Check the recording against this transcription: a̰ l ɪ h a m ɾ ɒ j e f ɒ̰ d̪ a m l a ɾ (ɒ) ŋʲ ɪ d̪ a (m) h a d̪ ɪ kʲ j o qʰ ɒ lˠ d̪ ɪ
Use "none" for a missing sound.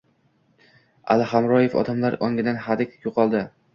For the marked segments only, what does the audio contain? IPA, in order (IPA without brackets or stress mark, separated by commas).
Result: ɒ, n